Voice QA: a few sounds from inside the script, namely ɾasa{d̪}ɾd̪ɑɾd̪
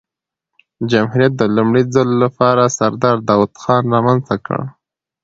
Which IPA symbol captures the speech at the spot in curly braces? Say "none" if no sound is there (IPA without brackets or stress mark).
none